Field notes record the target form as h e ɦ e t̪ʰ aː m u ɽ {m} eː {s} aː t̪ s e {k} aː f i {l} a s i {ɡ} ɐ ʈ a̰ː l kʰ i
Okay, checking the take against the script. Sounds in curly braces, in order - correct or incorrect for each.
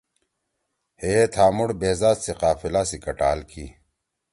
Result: incorrect: b, incorrect: z, incorrect: q, correct, incorrect: k

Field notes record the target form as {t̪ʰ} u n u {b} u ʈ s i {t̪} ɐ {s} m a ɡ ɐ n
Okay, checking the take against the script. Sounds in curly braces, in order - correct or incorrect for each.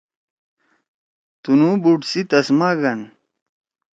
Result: incorrect: t̪, correct, correct, correct

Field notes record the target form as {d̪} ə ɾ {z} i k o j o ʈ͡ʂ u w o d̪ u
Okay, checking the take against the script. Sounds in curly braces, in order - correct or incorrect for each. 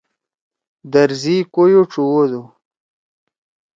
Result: correct, correct

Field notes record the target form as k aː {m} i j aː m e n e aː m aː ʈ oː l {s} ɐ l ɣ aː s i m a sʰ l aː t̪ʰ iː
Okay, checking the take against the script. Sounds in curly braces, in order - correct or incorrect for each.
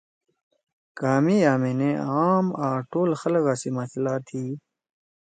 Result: correct, incorrect: x

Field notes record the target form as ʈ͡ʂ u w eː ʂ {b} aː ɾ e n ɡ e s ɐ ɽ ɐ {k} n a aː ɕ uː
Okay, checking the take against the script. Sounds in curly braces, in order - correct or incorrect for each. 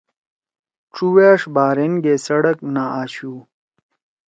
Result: correct, correct

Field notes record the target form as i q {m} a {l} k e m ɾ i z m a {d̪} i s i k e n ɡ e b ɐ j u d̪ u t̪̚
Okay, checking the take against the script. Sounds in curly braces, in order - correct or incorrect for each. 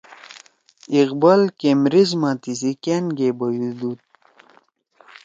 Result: incorrect: b, correct, incorrect: t̪

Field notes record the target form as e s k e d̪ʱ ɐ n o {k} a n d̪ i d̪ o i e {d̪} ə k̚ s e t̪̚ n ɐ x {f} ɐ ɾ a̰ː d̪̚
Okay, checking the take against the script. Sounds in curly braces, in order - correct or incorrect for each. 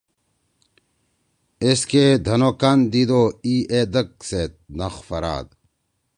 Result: correct, correct, correct

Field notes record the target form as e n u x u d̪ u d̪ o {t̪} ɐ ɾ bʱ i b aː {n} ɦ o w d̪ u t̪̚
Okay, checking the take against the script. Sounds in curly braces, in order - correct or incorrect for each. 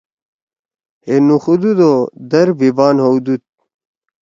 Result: incorrect: d̪, correct

